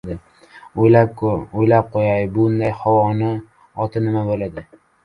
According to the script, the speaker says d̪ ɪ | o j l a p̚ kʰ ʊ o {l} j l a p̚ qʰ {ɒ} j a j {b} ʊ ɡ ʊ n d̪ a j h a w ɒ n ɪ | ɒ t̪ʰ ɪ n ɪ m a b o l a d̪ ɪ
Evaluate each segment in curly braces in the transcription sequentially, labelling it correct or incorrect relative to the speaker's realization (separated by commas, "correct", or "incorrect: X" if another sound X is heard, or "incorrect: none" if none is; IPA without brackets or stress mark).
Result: incorrect: none, incorrect: o, correct